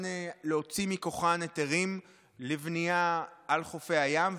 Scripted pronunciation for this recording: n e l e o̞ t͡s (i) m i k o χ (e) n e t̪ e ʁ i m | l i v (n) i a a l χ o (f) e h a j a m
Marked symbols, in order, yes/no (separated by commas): yes, no, yes, yes